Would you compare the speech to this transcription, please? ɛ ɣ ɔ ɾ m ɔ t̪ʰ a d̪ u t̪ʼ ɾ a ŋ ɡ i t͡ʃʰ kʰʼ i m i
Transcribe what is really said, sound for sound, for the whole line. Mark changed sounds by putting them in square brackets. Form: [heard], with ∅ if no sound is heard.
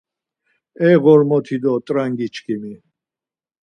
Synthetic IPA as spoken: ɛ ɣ ɔ ɾ m ɔ t̪ʰ [i] d̪ [ɔ] t̪ʼ ɾ a ŋ ɡ i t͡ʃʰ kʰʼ i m i